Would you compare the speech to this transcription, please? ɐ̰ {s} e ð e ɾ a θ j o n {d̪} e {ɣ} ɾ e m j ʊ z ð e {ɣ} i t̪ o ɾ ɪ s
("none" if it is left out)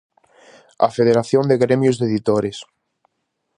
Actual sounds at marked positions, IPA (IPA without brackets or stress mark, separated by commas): f, d̪, ɣ, ð